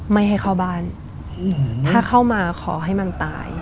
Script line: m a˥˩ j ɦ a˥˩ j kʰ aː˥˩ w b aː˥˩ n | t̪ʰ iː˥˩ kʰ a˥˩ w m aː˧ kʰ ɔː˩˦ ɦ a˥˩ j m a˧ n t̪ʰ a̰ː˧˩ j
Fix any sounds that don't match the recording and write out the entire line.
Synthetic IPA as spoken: m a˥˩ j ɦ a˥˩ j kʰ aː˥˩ w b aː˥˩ n | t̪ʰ aː˥˩ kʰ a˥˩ w m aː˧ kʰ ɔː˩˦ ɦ a˥˩ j m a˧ n t̪ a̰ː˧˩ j